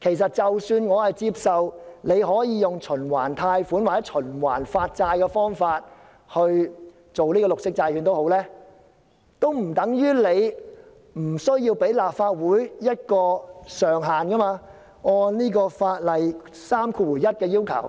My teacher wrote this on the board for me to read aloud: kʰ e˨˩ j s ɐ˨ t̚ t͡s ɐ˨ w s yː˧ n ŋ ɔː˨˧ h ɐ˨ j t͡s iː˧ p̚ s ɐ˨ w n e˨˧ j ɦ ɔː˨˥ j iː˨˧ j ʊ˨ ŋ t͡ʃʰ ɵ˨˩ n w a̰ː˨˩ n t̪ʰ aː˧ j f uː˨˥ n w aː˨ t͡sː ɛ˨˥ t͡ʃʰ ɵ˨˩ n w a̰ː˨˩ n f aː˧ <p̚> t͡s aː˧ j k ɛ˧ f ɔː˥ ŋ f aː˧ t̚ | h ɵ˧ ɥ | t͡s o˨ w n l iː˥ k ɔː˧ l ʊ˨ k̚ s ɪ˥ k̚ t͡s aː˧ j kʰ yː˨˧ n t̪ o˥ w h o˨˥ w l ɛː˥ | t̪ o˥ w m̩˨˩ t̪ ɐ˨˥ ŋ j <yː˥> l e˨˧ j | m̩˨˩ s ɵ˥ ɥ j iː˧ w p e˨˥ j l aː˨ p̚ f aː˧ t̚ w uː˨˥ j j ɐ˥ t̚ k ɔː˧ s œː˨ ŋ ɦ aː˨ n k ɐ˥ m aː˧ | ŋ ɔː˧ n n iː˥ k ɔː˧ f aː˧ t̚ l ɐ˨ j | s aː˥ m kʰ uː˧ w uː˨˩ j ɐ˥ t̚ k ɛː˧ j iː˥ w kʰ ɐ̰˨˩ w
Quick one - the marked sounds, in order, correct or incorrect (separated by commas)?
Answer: incorrect, correct